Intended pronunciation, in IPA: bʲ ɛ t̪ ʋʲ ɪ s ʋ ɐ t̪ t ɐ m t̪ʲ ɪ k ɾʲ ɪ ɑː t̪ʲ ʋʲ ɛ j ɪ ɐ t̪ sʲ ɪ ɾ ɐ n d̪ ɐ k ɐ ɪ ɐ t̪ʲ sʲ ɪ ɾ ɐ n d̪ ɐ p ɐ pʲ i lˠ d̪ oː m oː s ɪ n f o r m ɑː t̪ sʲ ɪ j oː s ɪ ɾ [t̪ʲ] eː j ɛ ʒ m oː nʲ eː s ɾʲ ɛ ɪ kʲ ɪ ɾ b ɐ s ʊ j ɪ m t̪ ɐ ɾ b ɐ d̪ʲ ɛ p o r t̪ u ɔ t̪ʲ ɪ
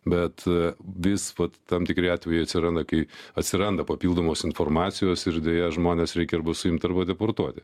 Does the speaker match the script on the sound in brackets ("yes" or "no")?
no